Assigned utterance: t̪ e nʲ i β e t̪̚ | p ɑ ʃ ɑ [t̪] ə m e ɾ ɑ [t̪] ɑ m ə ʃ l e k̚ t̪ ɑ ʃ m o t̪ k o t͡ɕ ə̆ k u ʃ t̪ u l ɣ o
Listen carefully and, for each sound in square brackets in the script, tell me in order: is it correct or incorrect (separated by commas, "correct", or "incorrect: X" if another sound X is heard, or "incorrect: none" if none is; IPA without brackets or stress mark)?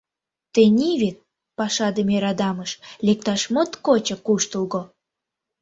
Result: incorrect: d̪, incorrect: d̪